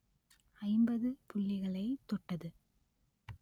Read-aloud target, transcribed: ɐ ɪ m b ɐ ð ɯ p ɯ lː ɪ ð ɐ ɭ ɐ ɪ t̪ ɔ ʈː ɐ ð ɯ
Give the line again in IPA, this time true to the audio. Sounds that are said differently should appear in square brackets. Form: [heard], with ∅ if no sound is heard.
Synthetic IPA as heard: ɐ ɪ m b ɐ ð ɯ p [ʊ] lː ɪ [ɣ] ɐ ɭ ɐ ɪ t̪ ɔ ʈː ɐ ð ɯ

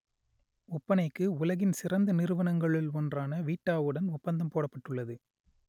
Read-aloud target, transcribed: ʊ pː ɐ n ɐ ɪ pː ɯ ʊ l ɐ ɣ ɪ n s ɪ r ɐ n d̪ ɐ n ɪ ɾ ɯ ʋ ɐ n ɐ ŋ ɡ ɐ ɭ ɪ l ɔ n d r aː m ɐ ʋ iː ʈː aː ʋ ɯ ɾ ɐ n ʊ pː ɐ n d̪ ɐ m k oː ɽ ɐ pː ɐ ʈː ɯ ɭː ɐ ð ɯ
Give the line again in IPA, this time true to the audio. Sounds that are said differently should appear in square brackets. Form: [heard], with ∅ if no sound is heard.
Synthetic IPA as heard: ʊ pː ɐ n ɐ ɪ [kː] ɯ ʊ l ɐ ɣ ɪ n s ɪ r ɐ n d̪ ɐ n ɪ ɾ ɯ ʋ ɐ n ɐ ŋ ɡ ɐ ɭ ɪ l ɔ n d r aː [n] ɐ ʋ iː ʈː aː ʋ ɯ [ɽ] ɐ n ʊ pː ɐ n d̪ ɐ m [p] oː ɽ ɐ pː ɐ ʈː ɯ ɭː ɐ ð ɯ

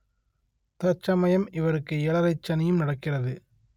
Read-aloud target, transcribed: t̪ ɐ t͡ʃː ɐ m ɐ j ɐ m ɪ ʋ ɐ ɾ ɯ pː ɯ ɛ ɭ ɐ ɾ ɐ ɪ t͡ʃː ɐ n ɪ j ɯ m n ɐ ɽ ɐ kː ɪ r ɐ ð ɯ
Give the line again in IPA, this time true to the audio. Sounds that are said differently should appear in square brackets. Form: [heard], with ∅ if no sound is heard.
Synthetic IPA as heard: t̪ ɐ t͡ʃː ɐ m ɐ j ɐ m ɪ ʋ ɐ ɾ ɯ [kː] ɯ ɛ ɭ ɐ ɾ ɐ ɪ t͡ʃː ɐ n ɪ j ɯ m n ɐ ɽ ɐ kː ɪ r ɐ ð ɯ

